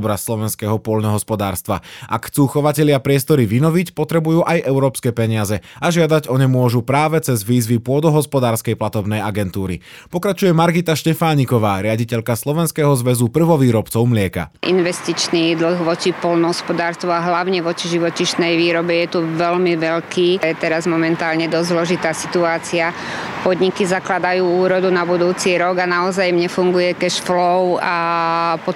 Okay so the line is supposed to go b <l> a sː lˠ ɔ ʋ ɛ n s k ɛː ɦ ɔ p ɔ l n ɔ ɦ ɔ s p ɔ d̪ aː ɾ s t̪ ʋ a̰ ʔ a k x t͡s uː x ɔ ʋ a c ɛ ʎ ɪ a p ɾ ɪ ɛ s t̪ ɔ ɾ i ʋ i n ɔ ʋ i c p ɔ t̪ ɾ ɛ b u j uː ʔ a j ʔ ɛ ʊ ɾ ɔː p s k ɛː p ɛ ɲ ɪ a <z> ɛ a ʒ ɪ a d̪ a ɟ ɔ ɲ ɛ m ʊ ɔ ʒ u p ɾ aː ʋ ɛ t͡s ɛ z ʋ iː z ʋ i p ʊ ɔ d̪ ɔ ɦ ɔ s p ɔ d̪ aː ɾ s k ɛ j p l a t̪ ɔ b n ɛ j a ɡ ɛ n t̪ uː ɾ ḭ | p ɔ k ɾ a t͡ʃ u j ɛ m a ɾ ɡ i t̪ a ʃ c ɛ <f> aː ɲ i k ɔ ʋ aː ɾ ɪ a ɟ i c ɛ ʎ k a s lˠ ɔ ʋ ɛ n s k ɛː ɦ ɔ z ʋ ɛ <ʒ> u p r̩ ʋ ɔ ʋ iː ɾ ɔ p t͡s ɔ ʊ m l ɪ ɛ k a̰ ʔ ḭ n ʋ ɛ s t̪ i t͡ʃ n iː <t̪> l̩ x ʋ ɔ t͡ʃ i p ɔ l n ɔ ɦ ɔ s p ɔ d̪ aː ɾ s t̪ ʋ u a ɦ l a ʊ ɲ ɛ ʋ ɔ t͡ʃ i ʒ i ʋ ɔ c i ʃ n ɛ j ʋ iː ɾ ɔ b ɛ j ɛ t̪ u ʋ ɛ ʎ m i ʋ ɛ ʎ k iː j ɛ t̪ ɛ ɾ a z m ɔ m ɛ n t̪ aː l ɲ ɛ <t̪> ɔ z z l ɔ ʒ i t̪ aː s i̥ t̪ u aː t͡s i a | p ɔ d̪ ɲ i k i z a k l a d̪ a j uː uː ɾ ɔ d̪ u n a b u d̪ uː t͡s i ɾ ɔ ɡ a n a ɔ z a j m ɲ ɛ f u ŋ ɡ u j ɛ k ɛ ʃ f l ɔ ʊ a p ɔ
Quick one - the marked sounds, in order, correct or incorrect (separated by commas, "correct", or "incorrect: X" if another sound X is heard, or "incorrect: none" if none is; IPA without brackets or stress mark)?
incorrect: ɾ, correct, correct, incorrect: z, incorrect: d̪, incorrect: d̪